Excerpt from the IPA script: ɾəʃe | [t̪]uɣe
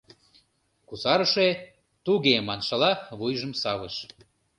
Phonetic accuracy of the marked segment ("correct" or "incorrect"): correct